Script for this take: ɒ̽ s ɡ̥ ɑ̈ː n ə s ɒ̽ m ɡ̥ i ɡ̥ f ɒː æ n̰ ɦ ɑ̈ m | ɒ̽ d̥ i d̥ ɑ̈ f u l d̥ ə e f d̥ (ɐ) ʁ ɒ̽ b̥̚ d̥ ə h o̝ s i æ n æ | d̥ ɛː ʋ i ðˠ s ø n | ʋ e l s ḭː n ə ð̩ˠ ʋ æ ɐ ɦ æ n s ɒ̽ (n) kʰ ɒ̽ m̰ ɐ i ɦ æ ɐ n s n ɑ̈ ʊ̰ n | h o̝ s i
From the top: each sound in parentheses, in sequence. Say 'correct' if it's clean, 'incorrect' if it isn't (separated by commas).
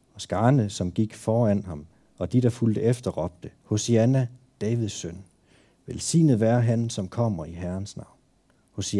correct, incorrect